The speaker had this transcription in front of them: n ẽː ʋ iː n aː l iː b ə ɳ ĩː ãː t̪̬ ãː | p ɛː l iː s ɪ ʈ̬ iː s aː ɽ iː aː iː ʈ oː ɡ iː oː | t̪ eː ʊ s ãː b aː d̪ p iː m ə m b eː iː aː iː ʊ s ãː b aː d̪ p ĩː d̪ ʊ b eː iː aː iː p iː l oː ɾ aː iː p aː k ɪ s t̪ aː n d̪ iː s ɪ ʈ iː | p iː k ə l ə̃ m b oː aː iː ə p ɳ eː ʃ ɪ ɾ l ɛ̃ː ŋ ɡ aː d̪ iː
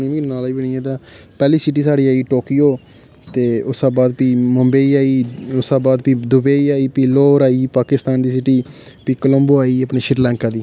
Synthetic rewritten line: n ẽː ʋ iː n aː l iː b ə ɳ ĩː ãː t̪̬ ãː | p ɛː l iː s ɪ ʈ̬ iː s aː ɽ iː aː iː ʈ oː k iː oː | t̪ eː ʊ s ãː b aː d̪ p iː m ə m b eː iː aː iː ʊ s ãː b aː d̪ p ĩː d̪ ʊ b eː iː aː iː p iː l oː ɾ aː iː p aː k ɪ s t̪ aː n d̪ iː s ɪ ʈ iː | p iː k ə l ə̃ m b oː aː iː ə p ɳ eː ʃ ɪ ɾ l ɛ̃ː ŋ k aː d̪ iː

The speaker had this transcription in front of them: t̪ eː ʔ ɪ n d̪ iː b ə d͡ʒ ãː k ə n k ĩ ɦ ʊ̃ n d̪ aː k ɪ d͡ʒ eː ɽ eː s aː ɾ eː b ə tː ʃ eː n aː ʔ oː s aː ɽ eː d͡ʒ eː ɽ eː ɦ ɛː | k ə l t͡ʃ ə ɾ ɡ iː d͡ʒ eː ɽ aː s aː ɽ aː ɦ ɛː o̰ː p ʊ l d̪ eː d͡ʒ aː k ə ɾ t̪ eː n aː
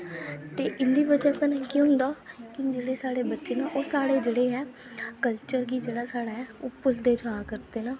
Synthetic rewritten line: t̪ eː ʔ ɪ n d̪ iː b ə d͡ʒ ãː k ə n k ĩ ɦ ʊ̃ n d̪ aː k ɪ d͡ʒ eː ɽ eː s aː ɽ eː b ə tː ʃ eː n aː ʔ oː s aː ɽ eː d͡ʒ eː ɽ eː ɦ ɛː | k ə l t͡ʃ ə ɾ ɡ iː d͡ʒ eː ɽ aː s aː ɽ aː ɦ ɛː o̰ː p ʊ l d̪ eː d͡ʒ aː k ə ɾ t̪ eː n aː

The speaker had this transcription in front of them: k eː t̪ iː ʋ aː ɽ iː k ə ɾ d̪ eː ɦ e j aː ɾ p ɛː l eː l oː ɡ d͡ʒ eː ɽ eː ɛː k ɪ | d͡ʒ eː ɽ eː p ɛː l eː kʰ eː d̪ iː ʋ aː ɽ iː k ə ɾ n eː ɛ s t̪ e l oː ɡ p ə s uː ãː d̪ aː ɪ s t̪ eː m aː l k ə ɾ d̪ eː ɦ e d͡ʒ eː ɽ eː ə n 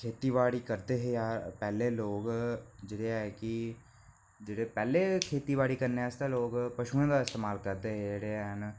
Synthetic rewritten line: kʰ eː t̪ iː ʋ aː ɽ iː k ə ɾ d̪ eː ɦ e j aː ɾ p ɛː l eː l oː ɡ d͡ʒ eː ɽ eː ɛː k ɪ | d͡ʒ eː ɽ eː p ɛː l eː kʰ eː t̪ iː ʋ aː ɽ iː k ə ɾ n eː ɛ s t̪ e l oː ɡ p ə ʃ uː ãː d̪ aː ɪ s t̪ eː m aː l k ə ɾ d̪ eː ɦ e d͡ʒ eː ɽ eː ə n

